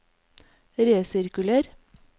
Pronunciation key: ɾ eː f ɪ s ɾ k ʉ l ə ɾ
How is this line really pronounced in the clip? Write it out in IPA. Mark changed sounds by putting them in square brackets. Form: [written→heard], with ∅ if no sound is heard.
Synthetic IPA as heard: ɾ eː [f→s] ɪ [s→∅] ɾ k ʉ l ə ɾ